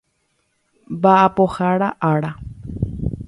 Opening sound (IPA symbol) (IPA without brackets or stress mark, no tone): b